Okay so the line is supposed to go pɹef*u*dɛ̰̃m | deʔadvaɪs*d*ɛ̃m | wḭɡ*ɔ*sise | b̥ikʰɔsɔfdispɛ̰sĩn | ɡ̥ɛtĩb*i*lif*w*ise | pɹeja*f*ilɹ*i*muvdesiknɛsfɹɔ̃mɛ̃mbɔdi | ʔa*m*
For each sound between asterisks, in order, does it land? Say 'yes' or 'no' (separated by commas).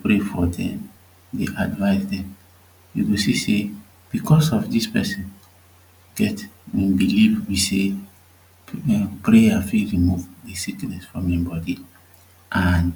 no, yes, no, yes, yes, yes, yes, no